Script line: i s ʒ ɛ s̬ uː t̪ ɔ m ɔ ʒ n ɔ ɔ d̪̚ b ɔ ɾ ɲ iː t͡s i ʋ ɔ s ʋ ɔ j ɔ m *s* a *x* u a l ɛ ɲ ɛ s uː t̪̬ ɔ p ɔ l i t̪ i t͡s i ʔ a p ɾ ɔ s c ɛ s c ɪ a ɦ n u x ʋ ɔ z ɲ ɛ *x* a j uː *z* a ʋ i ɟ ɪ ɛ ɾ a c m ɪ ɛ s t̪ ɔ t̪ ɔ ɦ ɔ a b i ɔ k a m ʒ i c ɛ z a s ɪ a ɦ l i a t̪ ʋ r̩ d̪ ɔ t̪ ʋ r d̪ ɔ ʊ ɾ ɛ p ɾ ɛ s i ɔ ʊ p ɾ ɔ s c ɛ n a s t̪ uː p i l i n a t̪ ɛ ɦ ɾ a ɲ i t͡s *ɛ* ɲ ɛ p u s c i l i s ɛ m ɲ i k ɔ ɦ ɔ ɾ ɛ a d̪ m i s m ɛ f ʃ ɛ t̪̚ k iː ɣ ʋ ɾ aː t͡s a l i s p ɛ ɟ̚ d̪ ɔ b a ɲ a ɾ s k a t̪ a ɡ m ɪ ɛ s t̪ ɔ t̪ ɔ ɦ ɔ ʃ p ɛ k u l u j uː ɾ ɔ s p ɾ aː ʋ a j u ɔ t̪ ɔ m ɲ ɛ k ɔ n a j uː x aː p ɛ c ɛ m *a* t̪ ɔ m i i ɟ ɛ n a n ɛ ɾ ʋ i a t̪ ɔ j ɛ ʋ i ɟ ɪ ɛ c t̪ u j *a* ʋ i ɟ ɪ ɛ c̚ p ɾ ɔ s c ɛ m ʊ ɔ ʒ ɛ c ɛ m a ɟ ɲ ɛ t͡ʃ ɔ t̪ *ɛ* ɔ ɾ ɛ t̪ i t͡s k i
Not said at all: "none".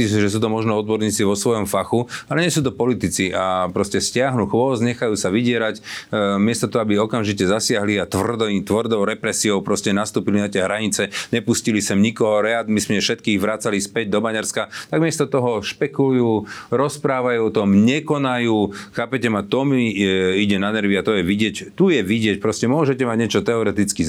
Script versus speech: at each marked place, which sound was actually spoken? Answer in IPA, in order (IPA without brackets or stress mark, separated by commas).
f, x, x, s, ɛ, a, ɛ, ɛ